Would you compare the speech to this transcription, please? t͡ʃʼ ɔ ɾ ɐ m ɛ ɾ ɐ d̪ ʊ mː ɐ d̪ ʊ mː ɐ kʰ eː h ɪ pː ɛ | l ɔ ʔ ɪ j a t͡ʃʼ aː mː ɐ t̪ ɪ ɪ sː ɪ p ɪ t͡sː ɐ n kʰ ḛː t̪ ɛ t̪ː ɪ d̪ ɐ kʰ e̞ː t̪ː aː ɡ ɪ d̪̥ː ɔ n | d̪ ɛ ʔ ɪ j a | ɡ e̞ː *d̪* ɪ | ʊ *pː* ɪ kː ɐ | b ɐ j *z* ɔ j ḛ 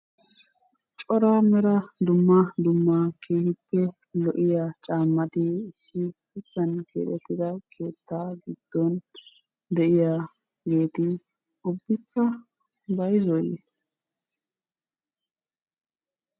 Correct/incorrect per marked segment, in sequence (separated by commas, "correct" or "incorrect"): incorrect, incorrect, correct